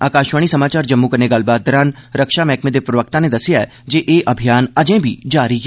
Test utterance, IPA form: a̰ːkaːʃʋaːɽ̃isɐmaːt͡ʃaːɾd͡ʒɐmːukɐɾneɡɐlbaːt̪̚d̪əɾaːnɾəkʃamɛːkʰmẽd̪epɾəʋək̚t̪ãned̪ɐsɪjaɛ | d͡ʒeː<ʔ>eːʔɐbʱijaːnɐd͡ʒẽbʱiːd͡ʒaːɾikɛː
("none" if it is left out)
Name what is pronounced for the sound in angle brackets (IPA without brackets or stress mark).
ʔ